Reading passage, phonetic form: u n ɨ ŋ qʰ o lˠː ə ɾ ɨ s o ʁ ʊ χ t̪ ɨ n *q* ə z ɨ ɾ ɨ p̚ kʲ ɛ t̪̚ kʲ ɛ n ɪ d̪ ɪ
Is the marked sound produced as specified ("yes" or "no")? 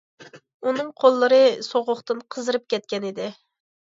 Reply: no